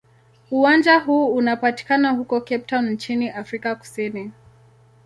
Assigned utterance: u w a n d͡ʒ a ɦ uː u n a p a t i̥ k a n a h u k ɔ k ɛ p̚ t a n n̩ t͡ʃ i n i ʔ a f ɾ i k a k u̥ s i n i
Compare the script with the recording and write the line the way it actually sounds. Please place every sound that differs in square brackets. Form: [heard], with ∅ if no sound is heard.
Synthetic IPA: u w a n d͡ʒ a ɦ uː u n a p a t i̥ k a n a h u k ɔ k ɛ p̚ t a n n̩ t͡ʃ i n i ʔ a f ɾ i k a k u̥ s i n i